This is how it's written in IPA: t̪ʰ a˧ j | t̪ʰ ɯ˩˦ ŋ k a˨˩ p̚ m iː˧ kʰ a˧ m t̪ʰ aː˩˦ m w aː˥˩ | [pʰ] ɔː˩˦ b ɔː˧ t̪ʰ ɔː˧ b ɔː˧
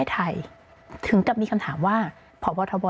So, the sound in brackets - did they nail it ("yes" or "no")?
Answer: yes